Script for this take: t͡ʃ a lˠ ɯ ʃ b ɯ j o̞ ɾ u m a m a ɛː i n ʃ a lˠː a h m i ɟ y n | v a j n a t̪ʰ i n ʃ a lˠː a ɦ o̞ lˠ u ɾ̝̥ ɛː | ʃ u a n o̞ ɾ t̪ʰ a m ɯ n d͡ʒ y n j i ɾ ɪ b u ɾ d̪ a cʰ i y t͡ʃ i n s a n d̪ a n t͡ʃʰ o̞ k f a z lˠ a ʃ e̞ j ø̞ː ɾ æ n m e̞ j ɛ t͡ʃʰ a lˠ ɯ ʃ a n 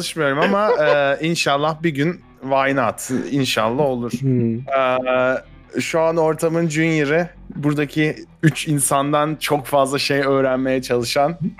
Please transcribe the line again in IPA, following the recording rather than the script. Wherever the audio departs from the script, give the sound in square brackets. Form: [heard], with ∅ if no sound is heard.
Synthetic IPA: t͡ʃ a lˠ ɯ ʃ [m] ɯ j o̞ ɾ u m a m a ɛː i n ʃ a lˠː a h [b] i ɟ y n | v a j n a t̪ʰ i n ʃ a lˠː a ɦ o̞ lˠ u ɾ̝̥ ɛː | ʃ u a n o̞ ɾ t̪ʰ a m ɯ n d͡ʒ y n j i ɾ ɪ b u ɾ d̪ a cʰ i y t͡ʃ i n s a n d̪ a n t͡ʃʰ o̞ k f a z lˠ a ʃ e̞ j ø̞ː ɾ æ n m e̞ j ɛ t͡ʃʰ a lˠ ɯ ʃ a n